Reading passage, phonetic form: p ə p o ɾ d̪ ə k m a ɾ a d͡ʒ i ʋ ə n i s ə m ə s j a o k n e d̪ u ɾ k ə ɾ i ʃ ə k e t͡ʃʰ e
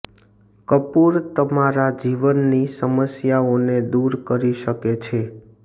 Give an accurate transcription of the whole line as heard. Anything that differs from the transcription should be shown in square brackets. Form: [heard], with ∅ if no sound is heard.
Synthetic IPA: [k] ə p [u] ɾ [t̪] ə [∅] m a ɾ a d͡ʒ i ʋ ə [nː] i s ə m ə s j a o [∅] n e d̪ u ɾ k ə ɾ i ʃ ə k e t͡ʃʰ e